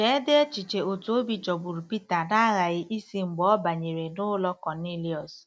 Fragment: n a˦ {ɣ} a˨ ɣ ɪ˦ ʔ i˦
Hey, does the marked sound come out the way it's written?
yes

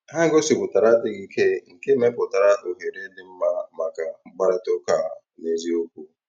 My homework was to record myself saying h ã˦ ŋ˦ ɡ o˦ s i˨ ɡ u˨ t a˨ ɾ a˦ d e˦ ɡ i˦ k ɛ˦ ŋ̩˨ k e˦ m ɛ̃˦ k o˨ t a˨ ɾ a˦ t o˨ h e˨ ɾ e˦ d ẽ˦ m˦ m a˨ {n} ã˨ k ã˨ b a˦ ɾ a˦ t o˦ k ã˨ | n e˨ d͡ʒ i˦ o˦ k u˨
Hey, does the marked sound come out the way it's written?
no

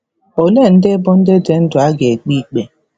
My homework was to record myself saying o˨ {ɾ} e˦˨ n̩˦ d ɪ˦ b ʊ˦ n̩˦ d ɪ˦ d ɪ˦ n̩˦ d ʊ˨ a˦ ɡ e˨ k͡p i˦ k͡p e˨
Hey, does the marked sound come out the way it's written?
no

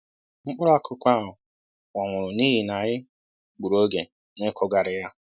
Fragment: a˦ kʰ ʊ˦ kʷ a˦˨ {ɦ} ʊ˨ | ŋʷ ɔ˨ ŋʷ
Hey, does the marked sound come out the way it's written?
yes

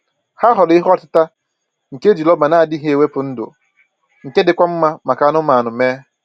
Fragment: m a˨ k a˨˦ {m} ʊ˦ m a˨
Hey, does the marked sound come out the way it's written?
no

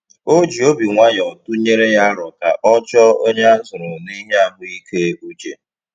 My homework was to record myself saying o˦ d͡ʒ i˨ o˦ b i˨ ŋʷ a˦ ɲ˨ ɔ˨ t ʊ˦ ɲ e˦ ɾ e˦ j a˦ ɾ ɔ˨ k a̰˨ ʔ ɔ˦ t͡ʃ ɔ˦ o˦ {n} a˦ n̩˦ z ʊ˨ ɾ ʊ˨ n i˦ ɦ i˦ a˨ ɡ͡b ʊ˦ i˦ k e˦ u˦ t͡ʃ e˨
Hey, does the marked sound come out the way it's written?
no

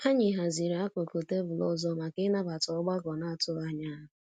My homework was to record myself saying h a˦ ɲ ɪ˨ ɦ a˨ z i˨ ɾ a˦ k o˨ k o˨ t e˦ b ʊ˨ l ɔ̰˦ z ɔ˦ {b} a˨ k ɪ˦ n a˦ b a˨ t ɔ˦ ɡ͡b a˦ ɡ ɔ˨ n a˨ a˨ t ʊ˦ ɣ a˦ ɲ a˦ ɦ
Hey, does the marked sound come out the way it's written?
no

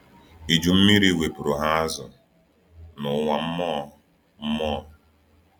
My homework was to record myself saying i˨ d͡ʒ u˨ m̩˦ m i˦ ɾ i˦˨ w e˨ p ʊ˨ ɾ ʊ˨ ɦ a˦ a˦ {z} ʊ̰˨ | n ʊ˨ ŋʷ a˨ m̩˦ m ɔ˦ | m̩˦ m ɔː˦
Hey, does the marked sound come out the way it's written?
yes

